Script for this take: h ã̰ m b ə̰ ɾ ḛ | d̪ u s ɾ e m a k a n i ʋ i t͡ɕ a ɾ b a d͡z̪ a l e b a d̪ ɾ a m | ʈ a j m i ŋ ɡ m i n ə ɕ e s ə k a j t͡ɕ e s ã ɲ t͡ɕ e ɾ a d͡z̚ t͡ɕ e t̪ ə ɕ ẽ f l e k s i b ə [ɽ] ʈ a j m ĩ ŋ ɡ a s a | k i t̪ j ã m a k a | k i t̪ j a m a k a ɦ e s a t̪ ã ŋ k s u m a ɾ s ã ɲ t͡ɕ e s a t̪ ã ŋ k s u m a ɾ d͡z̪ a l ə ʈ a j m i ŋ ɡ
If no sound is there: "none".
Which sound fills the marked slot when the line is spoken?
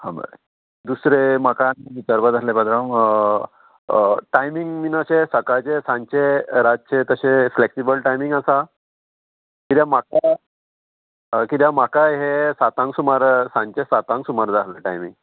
l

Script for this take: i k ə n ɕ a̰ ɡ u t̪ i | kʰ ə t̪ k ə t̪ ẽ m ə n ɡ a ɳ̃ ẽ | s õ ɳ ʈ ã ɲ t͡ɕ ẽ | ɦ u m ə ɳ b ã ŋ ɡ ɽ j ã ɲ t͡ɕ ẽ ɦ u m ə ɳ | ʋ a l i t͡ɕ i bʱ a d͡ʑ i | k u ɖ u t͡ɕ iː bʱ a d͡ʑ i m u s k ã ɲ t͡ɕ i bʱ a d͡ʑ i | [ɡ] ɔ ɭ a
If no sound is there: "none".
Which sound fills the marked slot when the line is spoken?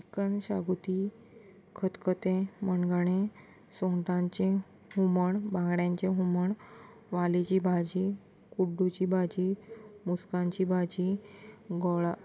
ɡ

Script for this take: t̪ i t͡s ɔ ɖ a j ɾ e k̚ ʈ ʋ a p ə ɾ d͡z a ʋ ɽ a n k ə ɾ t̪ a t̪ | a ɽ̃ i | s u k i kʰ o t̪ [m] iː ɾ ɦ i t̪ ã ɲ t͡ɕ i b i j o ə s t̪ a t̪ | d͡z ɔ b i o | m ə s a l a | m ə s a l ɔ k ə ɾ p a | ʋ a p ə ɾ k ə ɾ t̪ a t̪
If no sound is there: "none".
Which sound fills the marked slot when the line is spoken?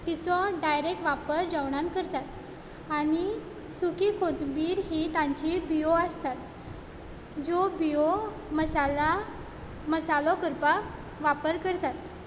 b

